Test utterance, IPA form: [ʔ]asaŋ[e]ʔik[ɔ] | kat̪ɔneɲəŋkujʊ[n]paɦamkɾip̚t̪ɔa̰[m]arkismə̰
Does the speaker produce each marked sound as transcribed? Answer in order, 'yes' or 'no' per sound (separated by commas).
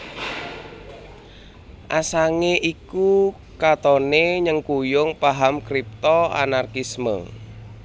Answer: yes, yes, no, no, no